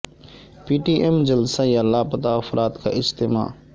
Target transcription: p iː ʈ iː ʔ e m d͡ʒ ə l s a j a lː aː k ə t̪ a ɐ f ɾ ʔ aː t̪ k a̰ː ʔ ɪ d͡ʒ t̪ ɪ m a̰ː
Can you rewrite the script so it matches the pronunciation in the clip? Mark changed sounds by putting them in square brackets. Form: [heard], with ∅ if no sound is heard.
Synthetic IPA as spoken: p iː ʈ iː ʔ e m d͡ʒ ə l s a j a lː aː [p] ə t̪ a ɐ f ɾ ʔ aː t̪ k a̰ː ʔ ɪ d͡ʒ t̪ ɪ m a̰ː